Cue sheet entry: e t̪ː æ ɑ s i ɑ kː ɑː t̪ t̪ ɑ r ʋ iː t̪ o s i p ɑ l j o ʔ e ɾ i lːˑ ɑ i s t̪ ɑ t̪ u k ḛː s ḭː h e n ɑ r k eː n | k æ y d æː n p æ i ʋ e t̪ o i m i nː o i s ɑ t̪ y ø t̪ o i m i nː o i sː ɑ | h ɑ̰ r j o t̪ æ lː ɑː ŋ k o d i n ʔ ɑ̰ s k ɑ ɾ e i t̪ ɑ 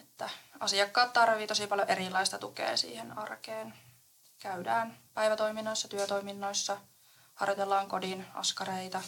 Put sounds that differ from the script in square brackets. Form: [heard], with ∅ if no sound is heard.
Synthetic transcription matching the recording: e t̪ː æ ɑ s i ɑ kː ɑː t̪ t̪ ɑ r ʋ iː t̪ o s i p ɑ l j o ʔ e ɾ i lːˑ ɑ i s t̪ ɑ t̪ u k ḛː s ḭː h e n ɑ r k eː n | k æ y d æː n p æ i ʋ [æ] t̪ o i m i nː o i [sː] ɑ t̪ y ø t̪ o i m i nː o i sː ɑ | h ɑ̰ r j o t̪ [e] lː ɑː ŋ k o d i n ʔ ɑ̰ s k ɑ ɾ e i t̪ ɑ